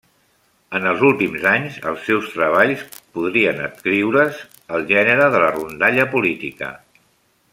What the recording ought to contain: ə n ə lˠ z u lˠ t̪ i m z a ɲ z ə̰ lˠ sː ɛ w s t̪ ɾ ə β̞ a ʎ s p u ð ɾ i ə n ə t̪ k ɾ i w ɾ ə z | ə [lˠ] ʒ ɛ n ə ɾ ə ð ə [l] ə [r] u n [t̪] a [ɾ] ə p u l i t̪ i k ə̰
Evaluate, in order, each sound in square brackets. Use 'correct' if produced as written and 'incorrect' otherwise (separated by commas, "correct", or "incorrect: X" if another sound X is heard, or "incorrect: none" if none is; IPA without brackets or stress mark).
correct, correct, correct, incorrect: d̪, incorrect: ʎ